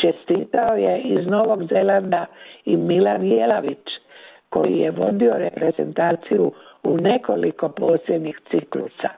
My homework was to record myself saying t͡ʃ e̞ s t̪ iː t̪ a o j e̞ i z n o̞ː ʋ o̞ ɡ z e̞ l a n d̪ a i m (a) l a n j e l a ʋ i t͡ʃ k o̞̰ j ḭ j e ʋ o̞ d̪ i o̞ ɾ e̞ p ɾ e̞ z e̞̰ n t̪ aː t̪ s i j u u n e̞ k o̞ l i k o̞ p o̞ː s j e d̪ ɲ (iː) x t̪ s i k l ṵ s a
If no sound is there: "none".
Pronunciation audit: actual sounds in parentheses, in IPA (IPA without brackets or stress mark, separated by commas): i, i